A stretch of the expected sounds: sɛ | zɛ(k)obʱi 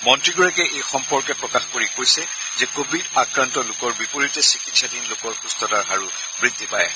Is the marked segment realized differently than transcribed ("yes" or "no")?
no